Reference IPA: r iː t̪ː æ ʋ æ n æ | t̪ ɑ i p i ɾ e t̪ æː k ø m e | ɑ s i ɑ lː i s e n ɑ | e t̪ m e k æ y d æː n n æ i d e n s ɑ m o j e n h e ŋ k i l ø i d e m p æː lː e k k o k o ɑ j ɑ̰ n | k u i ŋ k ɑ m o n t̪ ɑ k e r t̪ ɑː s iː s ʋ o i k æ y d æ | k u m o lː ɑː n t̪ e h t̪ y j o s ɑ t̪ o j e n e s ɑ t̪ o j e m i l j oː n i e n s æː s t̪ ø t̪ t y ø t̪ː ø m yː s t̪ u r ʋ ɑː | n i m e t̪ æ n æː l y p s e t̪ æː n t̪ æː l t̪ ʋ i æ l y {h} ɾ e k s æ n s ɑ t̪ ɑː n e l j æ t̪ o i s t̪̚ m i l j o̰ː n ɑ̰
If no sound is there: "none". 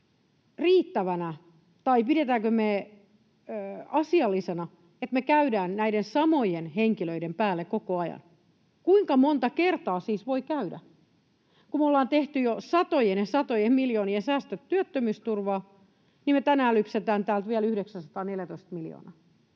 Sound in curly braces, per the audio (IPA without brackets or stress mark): h